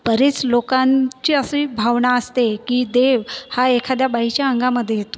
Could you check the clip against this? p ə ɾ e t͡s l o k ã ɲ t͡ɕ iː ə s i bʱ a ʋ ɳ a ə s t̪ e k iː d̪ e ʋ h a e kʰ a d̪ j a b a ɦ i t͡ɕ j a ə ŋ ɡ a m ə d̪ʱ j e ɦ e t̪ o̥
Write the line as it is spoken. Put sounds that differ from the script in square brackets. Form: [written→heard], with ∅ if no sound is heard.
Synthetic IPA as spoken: p ə ɾ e t͡s l o k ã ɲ t͡ɕ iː ə s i bʱ a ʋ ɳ a ə s t̪ e k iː d̪ e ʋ h a e kʰ a d̪ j a b a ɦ i t͡ɕ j a ə ŋ ɡ a m ə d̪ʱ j e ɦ e t̪ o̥